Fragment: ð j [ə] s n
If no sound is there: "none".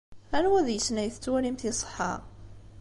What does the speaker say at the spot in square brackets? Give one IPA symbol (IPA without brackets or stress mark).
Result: ə